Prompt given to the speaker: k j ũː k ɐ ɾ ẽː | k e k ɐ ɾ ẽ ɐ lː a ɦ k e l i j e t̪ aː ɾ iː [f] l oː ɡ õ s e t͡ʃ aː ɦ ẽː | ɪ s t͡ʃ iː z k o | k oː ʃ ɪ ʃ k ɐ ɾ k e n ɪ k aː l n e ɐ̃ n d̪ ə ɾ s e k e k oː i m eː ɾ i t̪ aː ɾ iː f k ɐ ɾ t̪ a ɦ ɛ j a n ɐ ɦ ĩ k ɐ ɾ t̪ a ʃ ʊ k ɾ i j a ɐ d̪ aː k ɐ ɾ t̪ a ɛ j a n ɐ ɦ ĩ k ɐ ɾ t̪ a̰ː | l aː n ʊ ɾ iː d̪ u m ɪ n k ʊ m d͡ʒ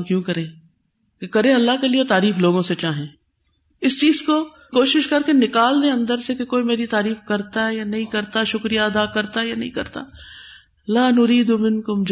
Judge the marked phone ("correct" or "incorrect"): correct